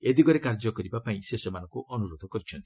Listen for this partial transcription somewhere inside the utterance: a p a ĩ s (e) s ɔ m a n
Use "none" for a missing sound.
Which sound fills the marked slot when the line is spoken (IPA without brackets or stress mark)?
e